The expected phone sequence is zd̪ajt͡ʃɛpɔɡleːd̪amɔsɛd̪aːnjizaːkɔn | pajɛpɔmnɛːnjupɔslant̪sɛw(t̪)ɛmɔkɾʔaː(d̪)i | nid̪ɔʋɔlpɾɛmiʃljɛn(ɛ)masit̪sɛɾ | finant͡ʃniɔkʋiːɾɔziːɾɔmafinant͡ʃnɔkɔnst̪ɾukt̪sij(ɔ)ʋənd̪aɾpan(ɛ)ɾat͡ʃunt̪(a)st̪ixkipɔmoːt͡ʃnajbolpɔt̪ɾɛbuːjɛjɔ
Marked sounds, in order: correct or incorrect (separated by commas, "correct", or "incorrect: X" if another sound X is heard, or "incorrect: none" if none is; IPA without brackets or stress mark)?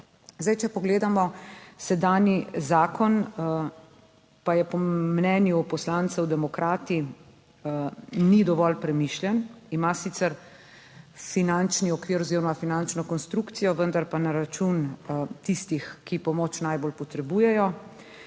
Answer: incorrect: d̪, incorrect: t̪, incorrect: i, correct, incorrect: a, incorrect: i